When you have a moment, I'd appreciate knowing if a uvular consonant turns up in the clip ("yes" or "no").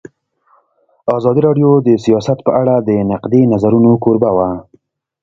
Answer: yes